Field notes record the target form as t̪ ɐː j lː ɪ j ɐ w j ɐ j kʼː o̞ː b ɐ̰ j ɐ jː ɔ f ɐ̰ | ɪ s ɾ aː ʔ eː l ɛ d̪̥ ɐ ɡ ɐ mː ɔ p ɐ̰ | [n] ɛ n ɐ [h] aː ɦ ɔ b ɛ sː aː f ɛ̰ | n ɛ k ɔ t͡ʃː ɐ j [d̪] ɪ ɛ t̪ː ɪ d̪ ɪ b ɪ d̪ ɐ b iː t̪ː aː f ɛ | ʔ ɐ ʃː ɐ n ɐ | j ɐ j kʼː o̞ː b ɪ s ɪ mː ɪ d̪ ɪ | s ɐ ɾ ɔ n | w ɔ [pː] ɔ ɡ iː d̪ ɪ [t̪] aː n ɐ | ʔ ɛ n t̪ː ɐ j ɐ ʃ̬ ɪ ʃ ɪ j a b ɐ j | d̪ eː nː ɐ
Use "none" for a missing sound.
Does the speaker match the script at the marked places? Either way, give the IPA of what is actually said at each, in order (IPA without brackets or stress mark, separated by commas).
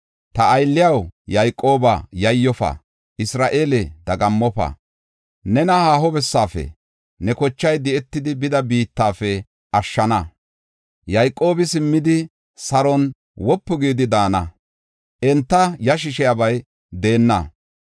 n, h, d̪, pː, d̪